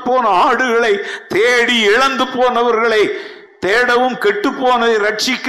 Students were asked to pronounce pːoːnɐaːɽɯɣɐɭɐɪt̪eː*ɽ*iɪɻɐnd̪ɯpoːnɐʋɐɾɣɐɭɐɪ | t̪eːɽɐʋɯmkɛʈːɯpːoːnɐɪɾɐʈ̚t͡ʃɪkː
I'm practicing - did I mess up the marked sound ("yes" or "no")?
no